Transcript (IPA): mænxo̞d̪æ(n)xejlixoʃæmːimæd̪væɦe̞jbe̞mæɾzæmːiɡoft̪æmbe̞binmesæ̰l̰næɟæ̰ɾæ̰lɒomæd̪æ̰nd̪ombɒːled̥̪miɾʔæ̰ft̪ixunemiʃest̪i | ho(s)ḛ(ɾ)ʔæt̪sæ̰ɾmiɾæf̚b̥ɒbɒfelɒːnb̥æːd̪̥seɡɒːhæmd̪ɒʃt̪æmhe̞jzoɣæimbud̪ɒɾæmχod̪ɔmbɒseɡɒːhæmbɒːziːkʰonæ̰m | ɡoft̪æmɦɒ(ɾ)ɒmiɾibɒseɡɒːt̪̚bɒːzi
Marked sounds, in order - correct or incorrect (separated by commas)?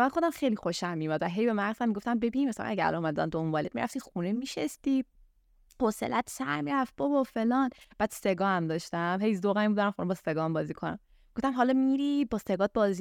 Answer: incorrect, correct, incorrect, incorrect